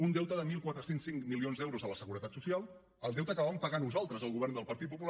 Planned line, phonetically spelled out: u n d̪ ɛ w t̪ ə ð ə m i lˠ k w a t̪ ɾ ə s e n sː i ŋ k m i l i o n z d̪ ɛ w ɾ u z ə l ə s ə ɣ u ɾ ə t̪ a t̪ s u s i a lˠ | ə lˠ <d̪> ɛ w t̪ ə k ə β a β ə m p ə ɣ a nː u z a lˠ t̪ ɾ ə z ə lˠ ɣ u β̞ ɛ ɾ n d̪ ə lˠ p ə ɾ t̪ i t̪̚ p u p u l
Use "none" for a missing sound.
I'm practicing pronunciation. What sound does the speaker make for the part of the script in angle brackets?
d̪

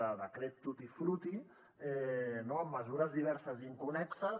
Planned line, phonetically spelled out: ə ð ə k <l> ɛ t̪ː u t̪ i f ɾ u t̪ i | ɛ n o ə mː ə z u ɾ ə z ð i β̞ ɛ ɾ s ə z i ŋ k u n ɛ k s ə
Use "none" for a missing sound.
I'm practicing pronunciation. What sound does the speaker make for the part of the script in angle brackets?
ɾ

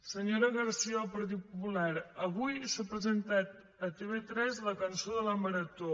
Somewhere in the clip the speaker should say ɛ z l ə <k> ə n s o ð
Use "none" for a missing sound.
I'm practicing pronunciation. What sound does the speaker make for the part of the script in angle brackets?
k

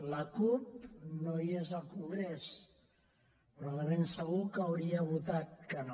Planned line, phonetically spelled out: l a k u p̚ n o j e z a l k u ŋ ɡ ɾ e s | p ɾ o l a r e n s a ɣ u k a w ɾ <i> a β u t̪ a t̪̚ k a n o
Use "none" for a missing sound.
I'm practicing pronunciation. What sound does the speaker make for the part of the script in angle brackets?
i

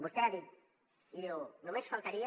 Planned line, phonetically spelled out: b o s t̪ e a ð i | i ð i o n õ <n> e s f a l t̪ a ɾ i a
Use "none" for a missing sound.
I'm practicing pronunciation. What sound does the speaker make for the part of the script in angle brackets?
m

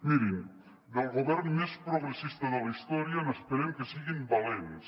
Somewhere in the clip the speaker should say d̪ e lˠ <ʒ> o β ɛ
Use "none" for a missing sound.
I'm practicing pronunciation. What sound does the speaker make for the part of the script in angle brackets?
ɣ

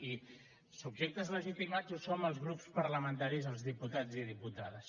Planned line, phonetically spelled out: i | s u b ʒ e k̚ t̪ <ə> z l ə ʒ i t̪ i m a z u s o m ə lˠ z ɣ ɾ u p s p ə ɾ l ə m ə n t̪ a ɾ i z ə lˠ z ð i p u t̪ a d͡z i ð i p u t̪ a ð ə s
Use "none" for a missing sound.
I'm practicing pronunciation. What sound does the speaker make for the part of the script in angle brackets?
ə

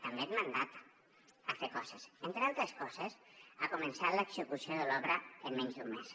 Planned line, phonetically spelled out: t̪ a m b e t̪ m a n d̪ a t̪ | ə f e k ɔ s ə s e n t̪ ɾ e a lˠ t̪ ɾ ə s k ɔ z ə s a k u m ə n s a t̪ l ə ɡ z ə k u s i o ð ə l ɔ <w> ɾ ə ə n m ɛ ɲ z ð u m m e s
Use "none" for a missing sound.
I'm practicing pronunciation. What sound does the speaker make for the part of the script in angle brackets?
β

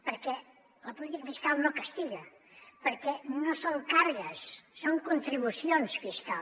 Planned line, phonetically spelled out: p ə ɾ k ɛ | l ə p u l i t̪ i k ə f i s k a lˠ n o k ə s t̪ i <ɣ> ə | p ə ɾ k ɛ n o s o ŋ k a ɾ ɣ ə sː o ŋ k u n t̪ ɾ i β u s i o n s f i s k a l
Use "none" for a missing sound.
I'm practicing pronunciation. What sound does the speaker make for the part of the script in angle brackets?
ɣ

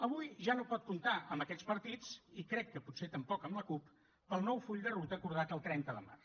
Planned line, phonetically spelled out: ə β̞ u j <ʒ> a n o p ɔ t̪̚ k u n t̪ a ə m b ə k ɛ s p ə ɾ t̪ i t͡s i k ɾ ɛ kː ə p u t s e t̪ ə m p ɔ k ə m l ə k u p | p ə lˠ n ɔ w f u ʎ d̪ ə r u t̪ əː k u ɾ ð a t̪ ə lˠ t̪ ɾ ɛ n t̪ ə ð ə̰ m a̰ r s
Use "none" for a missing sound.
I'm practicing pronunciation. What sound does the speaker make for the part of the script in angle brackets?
ʒ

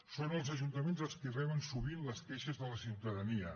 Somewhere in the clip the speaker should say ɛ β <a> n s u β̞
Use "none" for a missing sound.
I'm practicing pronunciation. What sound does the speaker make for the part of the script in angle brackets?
ə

